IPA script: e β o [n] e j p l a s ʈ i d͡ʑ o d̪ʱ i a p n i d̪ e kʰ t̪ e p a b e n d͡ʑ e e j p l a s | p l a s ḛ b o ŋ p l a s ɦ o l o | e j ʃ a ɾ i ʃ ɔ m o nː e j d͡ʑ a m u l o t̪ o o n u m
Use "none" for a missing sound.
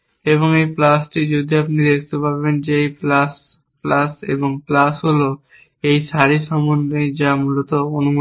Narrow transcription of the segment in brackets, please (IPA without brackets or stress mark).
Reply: ŋ